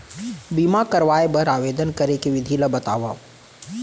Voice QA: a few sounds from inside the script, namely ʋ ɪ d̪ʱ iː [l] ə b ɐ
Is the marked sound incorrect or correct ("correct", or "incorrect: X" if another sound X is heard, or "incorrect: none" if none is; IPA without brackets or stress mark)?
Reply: correct